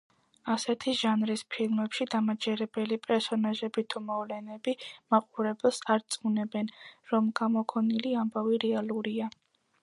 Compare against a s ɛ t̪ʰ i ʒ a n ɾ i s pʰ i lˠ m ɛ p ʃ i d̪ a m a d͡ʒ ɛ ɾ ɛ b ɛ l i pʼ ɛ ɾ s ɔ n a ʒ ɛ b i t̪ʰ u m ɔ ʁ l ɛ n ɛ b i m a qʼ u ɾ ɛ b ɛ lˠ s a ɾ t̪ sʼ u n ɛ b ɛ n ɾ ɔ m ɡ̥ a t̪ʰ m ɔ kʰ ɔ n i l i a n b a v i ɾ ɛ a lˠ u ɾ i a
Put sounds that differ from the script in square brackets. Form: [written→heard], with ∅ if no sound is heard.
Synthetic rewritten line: a s ɛ t̪ʰ i ʒ a n ɾ i s pʰ i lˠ m ɛ p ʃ i d̪ a m a d͡ʒ ɛ ɾ ɛ b ɛ l i pʼ ɛ ɾ s ɔ n a ʒ ɛ b i t̪ʰ u m ɔ [ʁ→v] l ɛ n ɛ b i m a qʼ u ɾ ɛ b ɛ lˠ s a ɾ t̪ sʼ u n ɛ b ɛ n ɾ ɔ m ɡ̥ a [t̪ʰ→∅] m ɔ kʰ ɔ n i l i a [n→m] b a v i ɾ ɛ a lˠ u ɾ i a